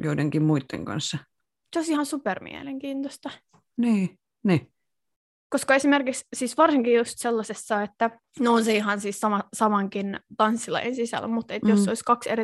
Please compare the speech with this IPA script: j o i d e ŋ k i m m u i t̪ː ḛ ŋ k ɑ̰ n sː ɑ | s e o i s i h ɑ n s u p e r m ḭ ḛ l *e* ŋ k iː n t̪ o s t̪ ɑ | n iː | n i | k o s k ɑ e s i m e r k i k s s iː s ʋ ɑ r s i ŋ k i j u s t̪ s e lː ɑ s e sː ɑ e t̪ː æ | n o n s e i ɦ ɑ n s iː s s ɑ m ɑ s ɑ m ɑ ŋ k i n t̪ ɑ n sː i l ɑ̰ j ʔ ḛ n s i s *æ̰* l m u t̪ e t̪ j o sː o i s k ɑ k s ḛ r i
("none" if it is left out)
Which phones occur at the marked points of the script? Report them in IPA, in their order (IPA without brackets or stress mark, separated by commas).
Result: e, æ̰